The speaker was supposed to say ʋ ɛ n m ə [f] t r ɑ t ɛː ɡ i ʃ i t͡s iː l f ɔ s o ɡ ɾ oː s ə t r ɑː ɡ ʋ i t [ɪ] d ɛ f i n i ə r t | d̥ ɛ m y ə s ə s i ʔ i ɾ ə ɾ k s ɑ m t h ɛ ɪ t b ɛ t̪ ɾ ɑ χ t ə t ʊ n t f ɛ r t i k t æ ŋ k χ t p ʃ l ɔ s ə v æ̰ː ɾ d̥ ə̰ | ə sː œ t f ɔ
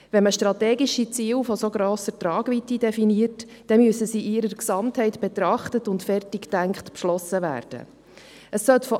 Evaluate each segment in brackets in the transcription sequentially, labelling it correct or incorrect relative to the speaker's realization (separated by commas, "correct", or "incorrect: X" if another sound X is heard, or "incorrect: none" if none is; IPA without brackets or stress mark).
incorrect: ʃ, incorrect: i